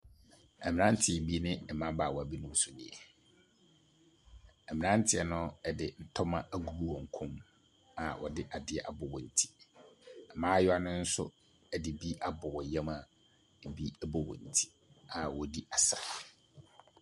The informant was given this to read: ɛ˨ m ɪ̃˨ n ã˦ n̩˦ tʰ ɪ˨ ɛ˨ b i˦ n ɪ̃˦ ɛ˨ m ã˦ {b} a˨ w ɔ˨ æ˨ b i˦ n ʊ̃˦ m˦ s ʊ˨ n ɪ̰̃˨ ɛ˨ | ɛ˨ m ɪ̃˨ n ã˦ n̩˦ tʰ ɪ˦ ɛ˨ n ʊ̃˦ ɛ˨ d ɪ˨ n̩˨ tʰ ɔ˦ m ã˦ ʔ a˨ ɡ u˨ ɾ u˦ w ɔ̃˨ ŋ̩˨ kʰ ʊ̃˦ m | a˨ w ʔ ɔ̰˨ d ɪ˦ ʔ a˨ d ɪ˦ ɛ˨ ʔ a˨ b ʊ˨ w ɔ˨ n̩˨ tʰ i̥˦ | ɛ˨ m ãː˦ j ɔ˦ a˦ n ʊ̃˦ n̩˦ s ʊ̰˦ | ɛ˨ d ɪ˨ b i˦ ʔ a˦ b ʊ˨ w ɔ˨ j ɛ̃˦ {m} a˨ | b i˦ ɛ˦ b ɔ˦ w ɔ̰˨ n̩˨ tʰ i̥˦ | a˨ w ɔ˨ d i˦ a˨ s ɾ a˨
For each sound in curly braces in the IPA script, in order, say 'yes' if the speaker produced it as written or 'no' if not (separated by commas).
yes, yes